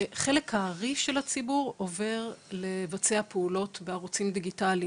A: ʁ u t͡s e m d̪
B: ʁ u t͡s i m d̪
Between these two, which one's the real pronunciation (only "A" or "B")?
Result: B